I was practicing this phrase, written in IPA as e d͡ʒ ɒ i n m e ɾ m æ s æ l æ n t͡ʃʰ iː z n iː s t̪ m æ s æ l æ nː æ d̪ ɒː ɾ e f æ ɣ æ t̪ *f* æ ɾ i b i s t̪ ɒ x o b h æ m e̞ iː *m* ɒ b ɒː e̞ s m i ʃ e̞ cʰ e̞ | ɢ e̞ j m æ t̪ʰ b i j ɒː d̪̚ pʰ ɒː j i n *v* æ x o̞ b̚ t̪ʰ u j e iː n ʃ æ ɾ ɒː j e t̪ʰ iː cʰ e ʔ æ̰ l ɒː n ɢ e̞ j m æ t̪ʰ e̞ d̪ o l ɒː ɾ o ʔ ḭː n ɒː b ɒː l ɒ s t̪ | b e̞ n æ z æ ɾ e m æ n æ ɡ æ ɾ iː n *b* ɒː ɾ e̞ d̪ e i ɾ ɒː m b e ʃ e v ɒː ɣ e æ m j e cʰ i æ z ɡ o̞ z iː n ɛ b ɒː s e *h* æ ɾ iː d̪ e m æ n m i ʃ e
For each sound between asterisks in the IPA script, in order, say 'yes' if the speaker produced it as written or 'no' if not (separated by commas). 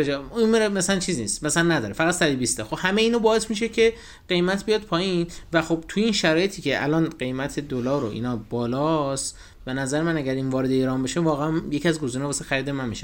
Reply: no, no, yes, no, no